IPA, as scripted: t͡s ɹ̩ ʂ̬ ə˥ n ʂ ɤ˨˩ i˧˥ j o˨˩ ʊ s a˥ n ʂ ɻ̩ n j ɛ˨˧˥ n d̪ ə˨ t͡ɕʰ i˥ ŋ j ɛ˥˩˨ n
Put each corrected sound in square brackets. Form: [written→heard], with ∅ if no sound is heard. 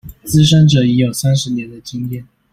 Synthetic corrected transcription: t͡s ɹ̩ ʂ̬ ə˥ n [ʂ→ʈ͡ʂ] ɤ˨˩ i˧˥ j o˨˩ ʊ s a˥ n ʂ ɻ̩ n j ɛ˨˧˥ n d̪ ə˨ [t͡ɕʰ→t͡ɕ] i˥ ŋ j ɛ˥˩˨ n